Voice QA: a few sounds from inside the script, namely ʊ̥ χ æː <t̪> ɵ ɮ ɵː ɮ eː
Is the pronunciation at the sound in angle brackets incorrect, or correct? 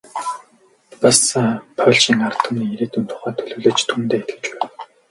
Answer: incorrect